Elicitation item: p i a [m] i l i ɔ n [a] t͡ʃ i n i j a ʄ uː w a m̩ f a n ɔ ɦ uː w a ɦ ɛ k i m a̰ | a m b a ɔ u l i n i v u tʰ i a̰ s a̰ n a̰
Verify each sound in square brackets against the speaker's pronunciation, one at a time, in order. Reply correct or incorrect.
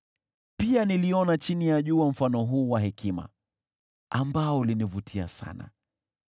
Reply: incorrect: n, correct

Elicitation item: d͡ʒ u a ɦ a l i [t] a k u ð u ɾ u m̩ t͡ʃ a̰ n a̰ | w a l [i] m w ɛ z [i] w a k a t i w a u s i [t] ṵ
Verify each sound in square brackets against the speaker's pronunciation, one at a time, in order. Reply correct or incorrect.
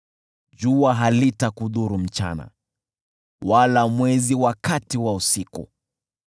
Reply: correct, incorrect: a, correct, incorrect: k

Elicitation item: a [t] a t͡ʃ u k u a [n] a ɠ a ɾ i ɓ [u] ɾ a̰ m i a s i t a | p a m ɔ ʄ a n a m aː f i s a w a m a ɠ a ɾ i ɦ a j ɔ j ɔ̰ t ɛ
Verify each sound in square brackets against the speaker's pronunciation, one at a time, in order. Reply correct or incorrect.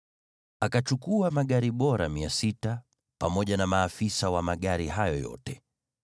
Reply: incorrect: k, incorrect: m, incorrect: ɔ

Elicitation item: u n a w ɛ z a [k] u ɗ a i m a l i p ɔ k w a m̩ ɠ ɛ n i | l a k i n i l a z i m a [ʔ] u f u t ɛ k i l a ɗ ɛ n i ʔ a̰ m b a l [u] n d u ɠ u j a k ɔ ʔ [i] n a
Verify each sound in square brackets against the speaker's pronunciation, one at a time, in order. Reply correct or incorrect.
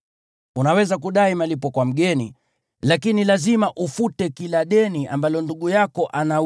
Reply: correct, correct, incorrect: ɔ, incorrect: a

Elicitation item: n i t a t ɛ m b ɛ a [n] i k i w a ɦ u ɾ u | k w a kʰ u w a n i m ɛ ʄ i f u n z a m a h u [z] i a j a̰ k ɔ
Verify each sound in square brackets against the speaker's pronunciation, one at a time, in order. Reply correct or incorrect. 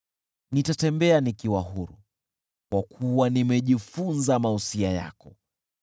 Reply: correct, incorrect: s

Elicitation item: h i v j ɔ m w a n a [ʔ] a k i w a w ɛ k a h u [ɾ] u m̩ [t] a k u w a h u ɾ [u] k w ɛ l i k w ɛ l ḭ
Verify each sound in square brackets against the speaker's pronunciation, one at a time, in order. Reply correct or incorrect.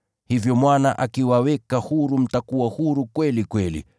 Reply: correct, correct, correct, correct

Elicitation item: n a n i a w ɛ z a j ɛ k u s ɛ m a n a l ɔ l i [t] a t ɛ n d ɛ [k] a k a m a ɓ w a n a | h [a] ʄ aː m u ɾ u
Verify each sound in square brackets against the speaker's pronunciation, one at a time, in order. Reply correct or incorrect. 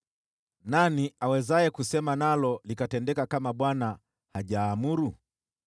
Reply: incorrect: k, correct, correct

